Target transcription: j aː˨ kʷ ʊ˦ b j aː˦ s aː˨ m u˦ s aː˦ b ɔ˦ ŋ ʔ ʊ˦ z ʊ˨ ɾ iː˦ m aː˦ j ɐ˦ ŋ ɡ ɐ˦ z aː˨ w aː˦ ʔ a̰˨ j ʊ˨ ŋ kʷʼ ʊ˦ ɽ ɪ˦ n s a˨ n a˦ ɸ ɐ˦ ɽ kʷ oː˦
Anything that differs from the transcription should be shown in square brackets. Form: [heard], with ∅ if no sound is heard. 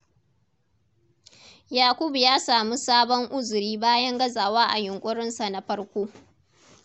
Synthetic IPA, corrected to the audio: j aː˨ kʷ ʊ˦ b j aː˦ s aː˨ m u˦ s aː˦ b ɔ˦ ŋ ʔ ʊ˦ z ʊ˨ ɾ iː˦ [b] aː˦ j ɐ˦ ŋ ɡ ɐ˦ z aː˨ w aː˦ ʔ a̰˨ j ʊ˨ ŋ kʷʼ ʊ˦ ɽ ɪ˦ n s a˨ n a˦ ɸ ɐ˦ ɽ kʷ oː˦

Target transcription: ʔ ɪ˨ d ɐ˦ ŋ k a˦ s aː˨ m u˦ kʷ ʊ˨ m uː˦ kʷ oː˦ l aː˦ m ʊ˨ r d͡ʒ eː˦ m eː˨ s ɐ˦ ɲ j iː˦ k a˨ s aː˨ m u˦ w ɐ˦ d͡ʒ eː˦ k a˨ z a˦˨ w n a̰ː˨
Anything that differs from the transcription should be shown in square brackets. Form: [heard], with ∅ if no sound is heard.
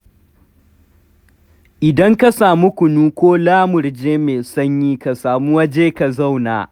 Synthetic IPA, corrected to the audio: ʔ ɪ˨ d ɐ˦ ŋ k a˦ s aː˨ m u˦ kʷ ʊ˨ [n] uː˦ kʷ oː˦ l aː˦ m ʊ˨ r d͡ʒ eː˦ m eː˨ s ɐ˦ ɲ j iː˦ k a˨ s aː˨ m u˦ w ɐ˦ d͡ʒ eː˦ k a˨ z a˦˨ w n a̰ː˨

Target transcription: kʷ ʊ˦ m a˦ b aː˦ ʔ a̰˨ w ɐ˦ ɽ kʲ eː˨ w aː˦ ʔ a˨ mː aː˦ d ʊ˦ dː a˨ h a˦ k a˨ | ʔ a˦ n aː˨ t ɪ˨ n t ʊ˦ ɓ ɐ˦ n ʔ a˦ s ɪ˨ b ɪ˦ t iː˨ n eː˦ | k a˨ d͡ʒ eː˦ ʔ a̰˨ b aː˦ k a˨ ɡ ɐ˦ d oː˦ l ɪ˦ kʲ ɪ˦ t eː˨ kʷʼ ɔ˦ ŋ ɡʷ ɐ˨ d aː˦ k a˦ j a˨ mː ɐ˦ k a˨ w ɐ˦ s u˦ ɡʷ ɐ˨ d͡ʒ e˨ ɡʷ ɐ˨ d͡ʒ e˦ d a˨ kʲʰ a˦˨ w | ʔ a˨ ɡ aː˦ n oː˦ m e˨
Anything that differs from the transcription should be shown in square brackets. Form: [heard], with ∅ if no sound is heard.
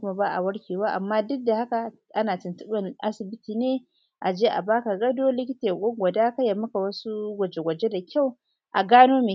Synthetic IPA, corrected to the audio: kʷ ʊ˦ m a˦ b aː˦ ʔ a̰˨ w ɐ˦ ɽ kʲ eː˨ w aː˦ ʔ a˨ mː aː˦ d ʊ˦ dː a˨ h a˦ k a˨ | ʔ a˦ n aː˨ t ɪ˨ n t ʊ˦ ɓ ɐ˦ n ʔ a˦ s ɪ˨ b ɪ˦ t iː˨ n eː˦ | [ʔ] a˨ d͡ʒ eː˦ ʔ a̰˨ b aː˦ k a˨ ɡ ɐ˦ d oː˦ l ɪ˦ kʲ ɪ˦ t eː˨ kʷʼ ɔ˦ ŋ ɡʷ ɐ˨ d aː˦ k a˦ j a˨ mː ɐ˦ k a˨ w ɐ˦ s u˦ ɡʷ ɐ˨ d͡ʒ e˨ ɡʷ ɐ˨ d͡ʒ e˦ d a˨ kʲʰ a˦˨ w | ʔ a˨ ɡ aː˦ n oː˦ m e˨

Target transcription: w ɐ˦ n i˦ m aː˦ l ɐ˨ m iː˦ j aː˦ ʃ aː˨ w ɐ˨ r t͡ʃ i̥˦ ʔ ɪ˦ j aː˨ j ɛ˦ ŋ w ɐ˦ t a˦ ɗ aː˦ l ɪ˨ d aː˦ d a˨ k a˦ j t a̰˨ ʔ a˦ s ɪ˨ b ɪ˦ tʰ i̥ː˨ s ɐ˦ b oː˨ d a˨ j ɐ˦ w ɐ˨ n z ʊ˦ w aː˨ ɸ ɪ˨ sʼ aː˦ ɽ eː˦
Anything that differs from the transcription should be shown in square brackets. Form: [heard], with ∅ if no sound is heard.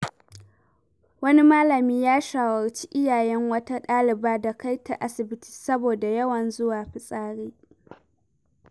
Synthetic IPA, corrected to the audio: w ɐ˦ n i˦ m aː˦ l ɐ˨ m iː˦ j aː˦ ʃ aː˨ w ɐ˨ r t͡ʃ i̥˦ ʔ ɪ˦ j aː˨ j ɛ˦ ŋ w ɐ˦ t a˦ ɗ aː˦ l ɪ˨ [b] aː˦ d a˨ k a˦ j t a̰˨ ʔ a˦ s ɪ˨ b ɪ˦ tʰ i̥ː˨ s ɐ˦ b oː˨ d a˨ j ɐ˦ w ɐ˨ n z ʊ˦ w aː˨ ɸ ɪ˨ sʼ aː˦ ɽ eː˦

